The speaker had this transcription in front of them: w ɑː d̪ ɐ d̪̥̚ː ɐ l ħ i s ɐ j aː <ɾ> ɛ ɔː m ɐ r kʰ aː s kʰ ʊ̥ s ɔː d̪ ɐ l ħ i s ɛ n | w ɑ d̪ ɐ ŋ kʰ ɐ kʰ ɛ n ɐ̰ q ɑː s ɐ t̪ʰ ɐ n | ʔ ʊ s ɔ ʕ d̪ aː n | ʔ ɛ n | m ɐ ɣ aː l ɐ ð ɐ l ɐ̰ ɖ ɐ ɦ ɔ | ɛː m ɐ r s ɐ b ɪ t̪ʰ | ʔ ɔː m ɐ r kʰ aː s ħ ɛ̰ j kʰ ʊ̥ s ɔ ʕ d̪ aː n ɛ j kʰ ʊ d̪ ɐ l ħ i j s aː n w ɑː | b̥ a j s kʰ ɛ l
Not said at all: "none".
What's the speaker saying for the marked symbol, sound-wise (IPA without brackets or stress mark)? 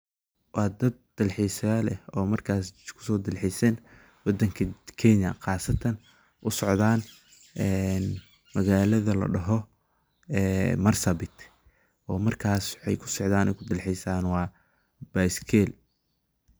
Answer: l